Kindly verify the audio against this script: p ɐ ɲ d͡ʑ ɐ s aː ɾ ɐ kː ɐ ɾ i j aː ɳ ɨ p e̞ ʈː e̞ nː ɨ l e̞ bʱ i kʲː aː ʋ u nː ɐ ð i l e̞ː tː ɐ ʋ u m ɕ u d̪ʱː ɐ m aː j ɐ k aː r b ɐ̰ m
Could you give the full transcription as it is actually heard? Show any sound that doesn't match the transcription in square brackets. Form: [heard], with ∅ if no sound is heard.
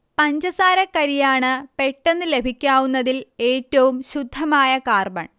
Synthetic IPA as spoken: p ɐ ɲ d͡ʑ ɐ s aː ɾ ɐ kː ɐ ɾ i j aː ɳ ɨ p e̞ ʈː e̞ nː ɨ l e̞ bʱ i kʲː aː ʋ u nː ɐ ð i l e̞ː tː ɐ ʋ u m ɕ u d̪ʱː ɐ m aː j ɐ k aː r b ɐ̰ [ɳ]

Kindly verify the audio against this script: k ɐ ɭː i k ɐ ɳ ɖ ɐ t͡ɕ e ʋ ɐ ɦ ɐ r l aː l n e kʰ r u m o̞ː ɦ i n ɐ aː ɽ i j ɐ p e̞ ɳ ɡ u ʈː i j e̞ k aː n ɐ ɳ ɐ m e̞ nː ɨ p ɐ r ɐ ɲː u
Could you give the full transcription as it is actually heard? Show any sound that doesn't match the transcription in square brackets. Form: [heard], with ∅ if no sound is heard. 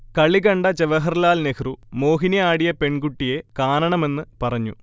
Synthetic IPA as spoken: k ɐ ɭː i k ɐ ɳ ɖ ɐ t͡ɕ e ʋ ɐ ɦ ɐ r l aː l n e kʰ r u m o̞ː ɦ i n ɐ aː ɽ i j ɐ p e̞ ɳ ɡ u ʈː i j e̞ k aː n ɐ ɳ ɐ m e̞ nː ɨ p ɐ r ɐ ɲː u

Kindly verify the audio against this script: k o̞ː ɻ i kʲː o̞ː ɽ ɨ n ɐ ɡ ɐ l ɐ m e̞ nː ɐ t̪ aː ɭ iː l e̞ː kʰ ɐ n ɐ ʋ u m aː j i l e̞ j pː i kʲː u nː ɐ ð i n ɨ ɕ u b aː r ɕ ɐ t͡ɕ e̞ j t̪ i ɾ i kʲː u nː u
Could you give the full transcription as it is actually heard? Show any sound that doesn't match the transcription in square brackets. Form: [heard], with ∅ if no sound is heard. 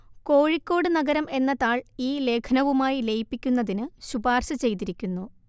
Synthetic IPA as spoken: k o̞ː ɻ i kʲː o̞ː ɽ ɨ n ɐ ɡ ɐ [ɾ] ɐ m e̞ nː ɐ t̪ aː ɭ iː l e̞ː kʰ ɐ n ɐ ʋ u m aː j i l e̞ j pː i kʲː u nː ɐ ð i n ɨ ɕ u b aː r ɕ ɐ t͡ɕ e̞ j t̪ i ɾ i kʲː u nː u

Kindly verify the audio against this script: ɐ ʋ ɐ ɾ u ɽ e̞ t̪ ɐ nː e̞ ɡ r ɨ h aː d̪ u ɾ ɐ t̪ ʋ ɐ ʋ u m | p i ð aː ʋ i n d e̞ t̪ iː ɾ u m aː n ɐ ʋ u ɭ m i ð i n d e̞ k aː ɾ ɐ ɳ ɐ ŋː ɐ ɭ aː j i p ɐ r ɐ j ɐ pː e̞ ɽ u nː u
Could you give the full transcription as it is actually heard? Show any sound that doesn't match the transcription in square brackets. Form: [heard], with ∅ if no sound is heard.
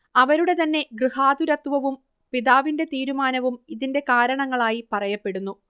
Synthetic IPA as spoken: ɐ ʋ ɐ ɾ u ɽ e̞ t̪ ɐ nː e̞ ɡ r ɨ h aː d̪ u ɾ ɐ t̪ ʋ ɐ ʋ u m | p i ð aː ʋ i n d e̞ t̪ iː ɾ u m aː n ɐ ʋ u [∅] m i ð i n d e̞ k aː ɾ ɐ ɳ ɐ ŋː ɐ ɭ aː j i p ɐ r ɐ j ɐ pː e̞ ɽ u nː u

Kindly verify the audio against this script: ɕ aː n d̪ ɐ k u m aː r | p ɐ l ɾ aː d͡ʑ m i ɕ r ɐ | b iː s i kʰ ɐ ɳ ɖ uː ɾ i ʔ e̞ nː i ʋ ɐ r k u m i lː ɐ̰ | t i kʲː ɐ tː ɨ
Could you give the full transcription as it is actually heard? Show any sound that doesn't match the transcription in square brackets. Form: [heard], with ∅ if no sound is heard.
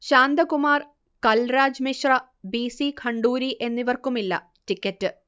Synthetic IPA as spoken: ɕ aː n d̪ ɐ k u m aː r | [k] ɐ l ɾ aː d͡ʑ m i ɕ r ɐ | b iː s i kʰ ɐ ɳ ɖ uː ɾ i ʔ e̞ nː i ʋ ɐ r k u m i lː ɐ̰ | t i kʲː ɐ tː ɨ

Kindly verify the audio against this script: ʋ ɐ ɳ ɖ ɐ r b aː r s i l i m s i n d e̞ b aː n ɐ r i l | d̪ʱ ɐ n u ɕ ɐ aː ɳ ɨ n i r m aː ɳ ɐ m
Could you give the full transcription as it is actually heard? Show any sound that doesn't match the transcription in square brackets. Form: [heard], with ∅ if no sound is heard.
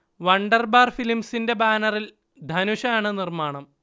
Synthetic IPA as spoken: ʋ ɐ ɳ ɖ ɐ r b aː r [f] i l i m s i n d e̞ b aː n ɐ r i l | d̪ʱ ɐ n u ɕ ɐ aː ɳ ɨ n i r m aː ɳ ɐ m

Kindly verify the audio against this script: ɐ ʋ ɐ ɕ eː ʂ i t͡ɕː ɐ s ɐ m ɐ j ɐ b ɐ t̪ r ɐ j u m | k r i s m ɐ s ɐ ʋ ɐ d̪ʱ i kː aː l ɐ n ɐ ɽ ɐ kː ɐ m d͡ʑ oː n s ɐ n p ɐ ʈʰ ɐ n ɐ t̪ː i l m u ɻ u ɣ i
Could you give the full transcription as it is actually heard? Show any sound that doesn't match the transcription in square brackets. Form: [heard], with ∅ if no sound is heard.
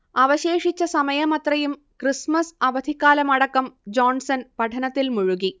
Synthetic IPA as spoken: ɐ ʋ ɐ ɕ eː ʂ i t͡ɕː ɐ s ɐ m ɐ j ɐ [m] ɐ t̪ r ɐ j u m | k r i s m ɐ s ɐ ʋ ɐ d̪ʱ i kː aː l ɐ [m] ɐ ɽ ɐ kː ɐ m d͡ʑ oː n s ɐ n p ɐ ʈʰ ɐ n ɐ t̪ː i l m u ɻ u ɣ i

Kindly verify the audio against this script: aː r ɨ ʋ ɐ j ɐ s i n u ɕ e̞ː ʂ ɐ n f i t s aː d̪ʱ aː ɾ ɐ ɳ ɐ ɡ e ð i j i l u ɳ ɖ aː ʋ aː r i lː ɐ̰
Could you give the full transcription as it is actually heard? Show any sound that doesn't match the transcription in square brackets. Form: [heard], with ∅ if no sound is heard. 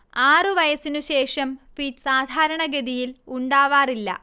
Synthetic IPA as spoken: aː r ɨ ʋ ɐ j ɐ s i n u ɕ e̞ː ʂ ɐ [m] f i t s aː d̪ʱ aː ɾ ɐ ɳ ɐ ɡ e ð i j i l u ɳ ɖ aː ʋ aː r i lː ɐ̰

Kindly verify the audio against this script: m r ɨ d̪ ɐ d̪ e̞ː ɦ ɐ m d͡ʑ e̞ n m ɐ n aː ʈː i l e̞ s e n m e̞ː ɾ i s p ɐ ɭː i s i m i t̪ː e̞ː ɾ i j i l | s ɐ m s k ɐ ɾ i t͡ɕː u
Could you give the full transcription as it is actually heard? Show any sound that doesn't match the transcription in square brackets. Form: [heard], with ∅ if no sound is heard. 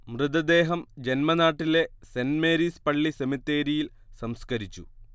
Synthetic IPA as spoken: m r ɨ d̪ ɐ d̪ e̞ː ɦ ɐ m d͡ʑ e̞ n m ɐ n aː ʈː i l e̞ s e n m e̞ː ɾ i s p ɐ ɭː i s [e] m i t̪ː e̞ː ɾ i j i l | s ɐ m s k ɐ ɾ i t͡ɕː u

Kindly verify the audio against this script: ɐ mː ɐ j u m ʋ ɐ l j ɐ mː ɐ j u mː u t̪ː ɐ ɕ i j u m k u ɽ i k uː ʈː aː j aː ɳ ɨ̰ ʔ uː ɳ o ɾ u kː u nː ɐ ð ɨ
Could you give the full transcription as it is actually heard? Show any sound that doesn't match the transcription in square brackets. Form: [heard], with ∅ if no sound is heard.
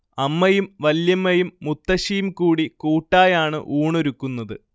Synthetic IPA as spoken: ɐ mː ɐ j u m ʋ ɐ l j ɐ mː ɐ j u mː u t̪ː ɐ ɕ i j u m k [uː] ɽ i k uː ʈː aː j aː ɳ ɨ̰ ʔ uː ɳ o ɾ u kː u nː ɐ ð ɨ

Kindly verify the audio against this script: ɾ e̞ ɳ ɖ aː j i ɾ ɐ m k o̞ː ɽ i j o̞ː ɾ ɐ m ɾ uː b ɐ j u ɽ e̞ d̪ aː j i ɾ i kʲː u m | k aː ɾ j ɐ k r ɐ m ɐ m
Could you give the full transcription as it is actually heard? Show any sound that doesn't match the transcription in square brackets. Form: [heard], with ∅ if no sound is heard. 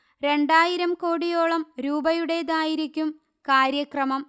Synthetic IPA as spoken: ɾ e̞ ɳ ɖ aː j i ɾ ɐ m k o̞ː ɽ i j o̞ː [ɭ] ɐ m ɾ uː b ɐ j u ɽ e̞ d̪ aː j i ɾ i kʲː u m | k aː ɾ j ɐ k r ɐ m ɐ m

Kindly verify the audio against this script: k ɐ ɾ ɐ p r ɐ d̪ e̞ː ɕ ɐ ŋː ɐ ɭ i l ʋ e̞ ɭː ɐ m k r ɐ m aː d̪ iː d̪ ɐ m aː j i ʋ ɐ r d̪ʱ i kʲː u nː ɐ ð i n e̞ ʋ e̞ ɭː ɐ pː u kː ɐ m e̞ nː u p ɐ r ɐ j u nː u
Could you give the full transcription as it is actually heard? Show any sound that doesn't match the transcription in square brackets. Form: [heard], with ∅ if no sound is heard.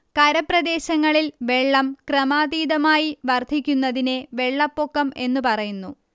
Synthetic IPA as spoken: k ɐ ɾ ɐ p r ɐ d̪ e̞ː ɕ ɐ ŋː ɐ ɭ i l ʋ e̞ ɭː ɐ m k r ɐ m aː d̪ iː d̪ ɐ m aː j i ʋ ɐ r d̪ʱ i kʲː u nː ɐ ð i n e̞ ʋ e̞ ɭː ɐ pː [o] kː ɐ m e̞ nː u p ɐ r ɐ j u nː u

